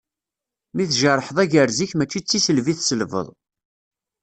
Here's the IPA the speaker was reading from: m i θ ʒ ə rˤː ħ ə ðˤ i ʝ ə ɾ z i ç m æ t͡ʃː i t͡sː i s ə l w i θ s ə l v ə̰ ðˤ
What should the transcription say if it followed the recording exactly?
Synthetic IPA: m i θ ʒ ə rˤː ħ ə ðˤ æ ʝ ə ɾ z i ç m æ t͡ʃː i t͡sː i s ə l v i θ s ə l v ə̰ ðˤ

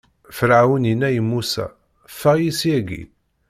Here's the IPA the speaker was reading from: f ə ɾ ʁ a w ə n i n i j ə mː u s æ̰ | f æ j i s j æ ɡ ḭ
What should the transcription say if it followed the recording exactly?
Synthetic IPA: f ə ɾ ʕ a w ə n i n æ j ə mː u s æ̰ | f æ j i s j æ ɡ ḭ

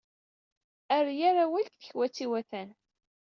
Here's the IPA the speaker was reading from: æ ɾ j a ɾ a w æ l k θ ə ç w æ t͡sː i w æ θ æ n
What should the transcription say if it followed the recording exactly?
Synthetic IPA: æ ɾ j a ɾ a w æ l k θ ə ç w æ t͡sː i w æ θ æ n

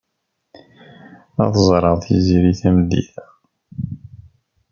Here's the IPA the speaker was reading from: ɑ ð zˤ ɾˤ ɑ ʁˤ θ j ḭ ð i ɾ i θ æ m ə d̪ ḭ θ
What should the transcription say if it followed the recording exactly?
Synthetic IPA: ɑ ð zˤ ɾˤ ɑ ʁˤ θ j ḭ z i ɾ i θ æ m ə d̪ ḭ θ

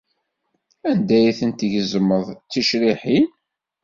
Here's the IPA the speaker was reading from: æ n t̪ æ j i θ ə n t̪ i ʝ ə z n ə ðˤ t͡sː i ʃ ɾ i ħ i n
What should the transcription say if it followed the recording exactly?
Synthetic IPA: æ n d̪ æ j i θ ə n t̪ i ʝ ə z m ə ðˤ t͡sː i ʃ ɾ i ħ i n

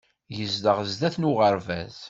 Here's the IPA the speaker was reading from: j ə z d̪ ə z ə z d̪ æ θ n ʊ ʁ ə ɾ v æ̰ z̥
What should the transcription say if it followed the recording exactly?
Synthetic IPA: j ə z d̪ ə ʁ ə z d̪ æ θ n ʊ ʁ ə ɾ v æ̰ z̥

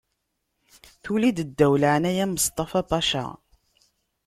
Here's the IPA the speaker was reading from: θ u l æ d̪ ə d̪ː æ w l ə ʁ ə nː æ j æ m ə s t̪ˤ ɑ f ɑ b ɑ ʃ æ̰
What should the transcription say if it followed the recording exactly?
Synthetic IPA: θ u l i d̪ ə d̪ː æ w l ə ʕ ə n æ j æ m ə s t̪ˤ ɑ f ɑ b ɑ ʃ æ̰

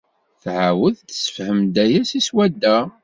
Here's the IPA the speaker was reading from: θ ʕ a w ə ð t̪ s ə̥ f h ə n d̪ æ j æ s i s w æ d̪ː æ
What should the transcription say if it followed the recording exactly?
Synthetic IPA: θ ʕ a w ə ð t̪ s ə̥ f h ə m d̪ æ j æ s i s w æ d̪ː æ

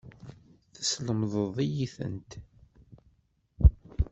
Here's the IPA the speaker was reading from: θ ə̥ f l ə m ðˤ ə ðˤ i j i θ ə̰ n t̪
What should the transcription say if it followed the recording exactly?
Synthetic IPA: θ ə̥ s l ə m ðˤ ə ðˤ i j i θ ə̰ n t̪

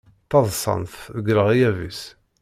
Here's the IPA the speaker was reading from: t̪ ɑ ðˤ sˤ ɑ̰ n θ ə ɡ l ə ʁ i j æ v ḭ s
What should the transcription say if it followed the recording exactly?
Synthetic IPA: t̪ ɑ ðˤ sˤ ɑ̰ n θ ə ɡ ɾ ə ʁ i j æ v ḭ s

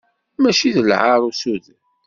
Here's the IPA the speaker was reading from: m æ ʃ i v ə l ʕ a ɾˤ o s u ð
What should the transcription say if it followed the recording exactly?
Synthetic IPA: m æ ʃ i ð ə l ʕ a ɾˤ u s u ð

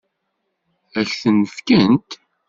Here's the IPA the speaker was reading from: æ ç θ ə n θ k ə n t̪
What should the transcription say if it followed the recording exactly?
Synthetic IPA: æ ç θ ə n f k ə n t̪

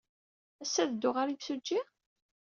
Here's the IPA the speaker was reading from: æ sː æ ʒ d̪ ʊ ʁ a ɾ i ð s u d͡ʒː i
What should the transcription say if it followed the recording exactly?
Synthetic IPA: æ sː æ ð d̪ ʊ ʁ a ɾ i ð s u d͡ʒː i

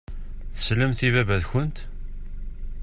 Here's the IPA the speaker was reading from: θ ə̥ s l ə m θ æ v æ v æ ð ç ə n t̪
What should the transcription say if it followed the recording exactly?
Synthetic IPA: θ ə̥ s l ə m θ i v æ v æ ð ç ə n t̪

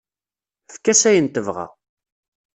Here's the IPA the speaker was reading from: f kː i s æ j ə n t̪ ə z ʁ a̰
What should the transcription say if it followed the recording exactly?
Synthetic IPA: f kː æ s æ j ə n t̪ ə v ʁ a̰

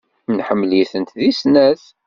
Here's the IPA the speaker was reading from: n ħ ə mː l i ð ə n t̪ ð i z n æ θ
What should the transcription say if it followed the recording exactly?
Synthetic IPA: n ħ ə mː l i θ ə n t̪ ð i s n æ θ

